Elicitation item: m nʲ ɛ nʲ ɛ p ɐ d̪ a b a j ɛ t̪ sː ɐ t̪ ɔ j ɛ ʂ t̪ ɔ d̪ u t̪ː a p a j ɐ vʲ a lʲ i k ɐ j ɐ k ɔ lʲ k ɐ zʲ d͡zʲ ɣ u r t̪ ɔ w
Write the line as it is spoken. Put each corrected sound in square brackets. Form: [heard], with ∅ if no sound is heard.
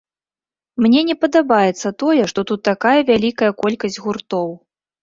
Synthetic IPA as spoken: m nʲ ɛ nʲ ɛ p ɐ d̪ a b a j ɛ t̪ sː ɐ t̪ ɔ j ɛ ʂ t̪ ɔ [t̪] u t̪ː a [k] a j ɐ vʲ a lʲ i k ɐ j ɐ k ɔ lʲ k ɐ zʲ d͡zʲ ɣ u r t̪ ɔ w